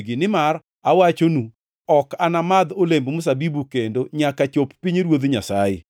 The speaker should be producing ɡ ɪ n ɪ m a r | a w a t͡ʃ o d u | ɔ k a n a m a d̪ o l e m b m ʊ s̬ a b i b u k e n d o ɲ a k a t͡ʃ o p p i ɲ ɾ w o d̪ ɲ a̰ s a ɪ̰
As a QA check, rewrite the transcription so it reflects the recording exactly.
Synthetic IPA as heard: ɡ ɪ n ɪ m a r | a w a t͡ʃ o n u | ɔ k a n a m a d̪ o l e m b m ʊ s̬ a b i b u k e n d o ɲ a k a t͡ʃ o p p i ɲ ɾ w o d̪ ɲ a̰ s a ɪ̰